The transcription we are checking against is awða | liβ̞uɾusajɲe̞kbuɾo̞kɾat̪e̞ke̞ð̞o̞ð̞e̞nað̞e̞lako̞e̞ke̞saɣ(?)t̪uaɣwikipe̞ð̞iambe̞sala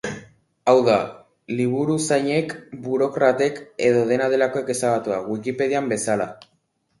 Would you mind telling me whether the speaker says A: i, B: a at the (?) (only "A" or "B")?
B